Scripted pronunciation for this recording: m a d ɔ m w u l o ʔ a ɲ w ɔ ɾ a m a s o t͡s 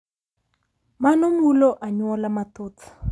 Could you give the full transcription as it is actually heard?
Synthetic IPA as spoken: m a n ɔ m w u l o ʔ a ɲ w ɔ l a m a t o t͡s